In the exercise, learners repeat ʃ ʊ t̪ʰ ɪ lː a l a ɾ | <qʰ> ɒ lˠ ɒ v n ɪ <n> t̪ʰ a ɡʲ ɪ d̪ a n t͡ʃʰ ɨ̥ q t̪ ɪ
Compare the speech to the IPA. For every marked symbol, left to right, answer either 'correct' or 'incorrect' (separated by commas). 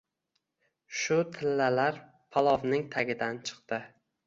incorrect, incorrect